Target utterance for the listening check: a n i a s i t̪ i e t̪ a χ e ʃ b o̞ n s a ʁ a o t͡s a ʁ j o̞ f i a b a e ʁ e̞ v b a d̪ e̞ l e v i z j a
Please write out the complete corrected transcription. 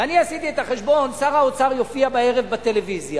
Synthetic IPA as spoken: a n i a s i t̪ i e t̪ a χ e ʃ b o̞ n s a ʁ a o t͡s a ʁ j o̞ f i a b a e ʁ e̞ v b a t̪ e̞ l e v i z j a